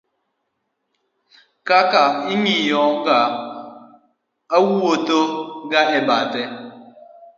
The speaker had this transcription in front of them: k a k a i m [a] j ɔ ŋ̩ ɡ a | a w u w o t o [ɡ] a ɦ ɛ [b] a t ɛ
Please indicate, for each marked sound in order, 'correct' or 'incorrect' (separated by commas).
incorrect, correct, correct